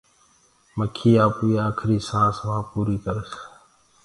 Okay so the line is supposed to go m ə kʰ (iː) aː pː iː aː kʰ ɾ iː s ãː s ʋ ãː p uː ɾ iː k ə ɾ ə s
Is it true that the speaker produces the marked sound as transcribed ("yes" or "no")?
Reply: yes